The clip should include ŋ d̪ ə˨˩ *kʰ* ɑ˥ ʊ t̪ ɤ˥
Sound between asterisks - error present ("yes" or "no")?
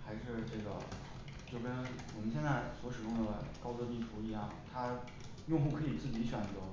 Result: yes